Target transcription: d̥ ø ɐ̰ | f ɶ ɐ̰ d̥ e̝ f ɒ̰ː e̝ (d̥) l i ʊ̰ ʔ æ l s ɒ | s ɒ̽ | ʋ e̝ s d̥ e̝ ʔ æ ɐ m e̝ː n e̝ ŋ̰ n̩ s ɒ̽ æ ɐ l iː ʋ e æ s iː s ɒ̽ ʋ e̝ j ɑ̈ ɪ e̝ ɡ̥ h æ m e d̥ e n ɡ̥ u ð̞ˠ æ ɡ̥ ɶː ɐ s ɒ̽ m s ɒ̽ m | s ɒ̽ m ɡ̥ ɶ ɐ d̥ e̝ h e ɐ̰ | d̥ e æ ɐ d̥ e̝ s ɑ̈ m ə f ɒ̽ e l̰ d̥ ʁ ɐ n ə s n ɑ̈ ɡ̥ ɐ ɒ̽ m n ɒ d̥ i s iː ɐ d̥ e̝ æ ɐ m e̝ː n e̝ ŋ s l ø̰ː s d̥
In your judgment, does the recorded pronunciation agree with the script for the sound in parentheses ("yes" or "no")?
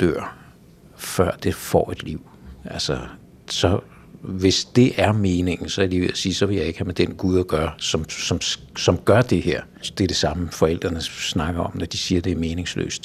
yes